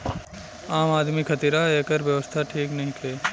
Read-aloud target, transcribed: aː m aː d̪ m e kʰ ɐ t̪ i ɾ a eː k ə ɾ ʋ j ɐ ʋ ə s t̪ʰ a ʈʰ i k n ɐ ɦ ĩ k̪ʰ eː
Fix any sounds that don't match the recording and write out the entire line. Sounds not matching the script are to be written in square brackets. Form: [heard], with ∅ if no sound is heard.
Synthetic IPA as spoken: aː m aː d̪ m [i] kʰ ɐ t̪ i ɾ a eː k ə ɾ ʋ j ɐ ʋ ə s t̪ʰ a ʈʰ [iː] k n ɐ ɦ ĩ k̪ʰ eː